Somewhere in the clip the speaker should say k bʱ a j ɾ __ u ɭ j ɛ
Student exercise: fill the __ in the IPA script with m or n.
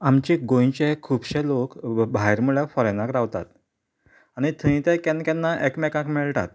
m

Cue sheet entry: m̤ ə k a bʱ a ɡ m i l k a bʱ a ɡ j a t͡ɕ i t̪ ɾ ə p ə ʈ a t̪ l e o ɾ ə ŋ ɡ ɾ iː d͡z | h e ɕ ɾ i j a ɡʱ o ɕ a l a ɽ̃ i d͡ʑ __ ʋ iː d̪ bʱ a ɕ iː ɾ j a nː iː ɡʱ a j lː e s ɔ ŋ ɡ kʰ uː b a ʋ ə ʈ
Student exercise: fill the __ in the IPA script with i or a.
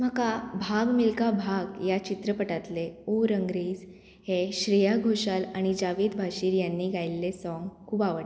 a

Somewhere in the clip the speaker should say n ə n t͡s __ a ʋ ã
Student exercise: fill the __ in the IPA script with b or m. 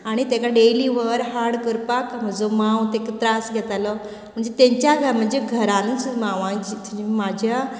m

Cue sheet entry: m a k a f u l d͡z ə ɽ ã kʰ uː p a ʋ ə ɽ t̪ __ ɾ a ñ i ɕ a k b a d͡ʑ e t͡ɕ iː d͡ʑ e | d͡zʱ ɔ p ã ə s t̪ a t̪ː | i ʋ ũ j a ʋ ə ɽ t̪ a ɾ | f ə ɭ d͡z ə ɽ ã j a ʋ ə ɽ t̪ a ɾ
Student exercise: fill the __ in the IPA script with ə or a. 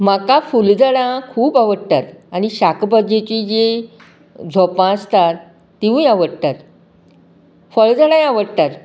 a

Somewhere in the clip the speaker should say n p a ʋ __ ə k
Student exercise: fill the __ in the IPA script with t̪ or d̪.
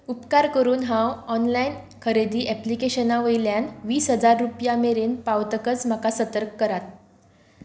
t̪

